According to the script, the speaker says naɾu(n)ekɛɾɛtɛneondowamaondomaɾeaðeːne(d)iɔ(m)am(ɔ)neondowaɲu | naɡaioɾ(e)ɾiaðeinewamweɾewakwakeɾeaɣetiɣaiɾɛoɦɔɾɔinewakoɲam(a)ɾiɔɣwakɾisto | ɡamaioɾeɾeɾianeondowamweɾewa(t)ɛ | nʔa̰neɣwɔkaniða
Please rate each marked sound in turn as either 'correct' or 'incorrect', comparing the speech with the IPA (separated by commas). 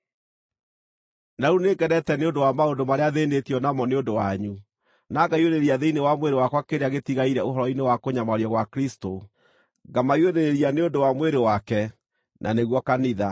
correct, incorrect, incorrect, correct, correct, correct, incorrect